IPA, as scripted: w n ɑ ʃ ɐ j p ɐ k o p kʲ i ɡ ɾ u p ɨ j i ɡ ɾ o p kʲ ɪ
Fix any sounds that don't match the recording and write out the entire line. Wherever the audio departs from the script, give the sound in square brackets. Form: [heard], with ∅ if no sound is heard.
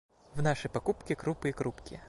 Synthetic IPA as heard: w n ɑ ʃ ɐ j p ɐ k [u] p kʲ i [k] ɾ u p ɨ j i [k] ɾ [u] p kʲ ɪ